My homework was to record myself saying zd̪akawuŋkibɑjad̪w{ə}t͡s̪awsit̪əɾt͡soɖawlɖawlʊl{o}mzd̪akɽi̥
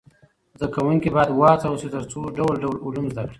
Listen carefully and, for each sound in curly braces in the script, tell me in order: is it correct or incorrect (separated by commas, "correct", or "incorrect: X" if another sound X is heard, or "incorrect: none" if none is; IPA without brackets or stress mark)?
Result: incorrect: ɑ, incorrect: u